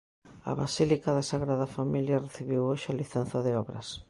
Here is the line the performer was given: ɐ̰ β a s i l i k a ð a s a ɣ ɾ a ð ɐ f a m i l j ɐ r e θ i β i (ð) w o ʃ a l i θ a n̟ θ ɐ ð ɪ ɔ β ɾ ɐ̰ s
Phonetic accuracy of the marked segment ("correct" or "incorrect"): incorrect